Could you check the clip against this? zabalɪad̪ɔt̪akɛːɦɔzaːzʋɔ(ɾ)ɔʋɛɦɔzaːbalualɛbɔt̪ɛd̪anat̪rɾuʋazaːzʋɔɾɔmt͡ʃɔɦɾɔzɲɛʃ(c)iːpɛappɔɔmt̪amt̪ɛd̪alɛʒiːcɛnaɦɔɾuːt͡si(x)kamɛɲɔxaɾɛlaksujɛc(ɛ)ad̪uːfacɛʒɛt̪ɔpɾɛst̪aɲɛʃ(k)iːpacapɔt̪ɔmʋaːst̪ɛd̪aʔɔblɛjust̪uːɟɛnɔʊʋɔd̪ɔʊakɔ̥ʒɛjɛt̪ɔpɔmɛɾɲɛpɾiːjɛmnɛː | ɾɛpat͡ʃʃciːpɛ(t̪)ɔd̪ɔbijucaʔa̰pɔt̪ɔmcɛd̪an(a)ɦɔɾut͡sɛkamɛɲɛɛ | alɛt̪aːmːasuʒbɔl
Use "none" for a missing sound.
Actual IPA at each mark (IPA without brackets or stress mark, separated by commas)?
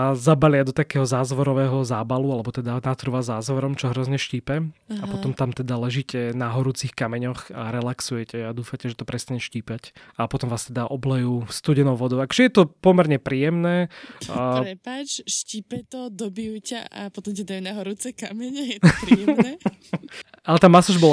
ɾ, c, x, ɛ, c, t̪, a